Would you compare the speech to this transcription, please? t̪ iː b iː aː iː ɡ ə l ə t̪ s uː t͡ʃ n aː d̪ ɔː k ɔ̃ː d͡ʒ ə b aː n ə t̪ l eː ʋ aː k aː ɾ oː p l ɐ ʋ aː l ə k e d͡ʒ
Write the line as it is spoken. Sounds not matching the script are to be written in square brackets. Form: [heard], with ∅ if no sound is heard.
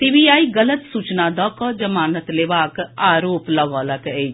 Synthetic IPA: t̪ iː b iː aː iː ɡ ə l ə t̪ s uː t͡ʃ n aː d̪ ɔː k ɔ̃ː d͡ʒ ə [m] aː n ə t̪ l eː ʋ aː k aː ɾ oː p l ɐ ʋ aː l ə k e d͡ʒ